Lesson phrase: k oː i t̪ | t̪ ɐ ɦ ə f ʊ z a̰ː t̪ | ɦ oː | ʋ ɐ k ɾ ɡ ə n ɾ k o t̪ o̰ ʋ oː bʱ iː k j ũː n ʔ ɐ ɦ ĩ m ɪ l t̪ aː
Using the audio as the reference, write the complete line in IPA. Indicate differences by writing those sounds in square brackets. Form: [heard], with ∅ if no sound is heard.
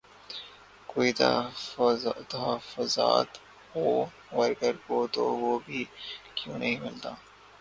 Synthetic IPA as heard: k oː i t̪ | t̪ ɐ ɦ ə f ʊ z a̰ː t̪ | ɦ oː | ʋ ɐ [∅] ɾ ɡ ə [∅] ɾ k o t̪ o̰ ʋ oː bʱ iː k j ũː n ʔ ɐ ɦ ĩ m ɪ l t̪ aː